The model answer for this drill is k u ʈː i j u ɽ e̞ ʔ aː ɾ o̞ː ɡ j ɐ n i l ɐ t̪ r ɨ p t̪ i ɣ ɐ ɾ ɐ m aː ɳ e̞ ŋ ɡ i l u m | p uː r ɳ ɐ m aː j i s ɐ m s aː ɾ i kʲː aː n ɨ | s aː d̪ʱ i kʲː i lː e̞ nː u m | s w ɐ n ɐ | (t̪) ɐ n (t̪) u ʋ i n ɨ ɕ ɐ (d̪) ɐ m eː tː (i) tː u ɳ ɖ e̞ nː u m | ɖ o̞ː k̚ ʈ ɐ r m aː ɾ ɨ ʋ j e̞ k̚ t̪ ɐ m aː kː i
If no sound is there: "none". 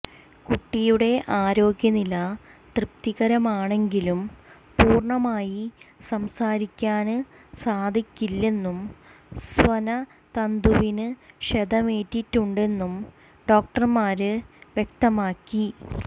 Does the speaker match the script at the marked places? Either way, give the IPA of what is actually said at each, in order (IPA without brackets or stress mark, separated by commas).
t̪, d̪, d̪, i